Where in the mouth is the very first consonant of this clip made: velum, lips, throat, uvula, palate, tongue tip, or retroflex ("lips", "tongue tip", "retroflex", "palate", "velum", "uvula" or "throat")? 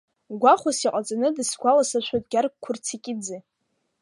velum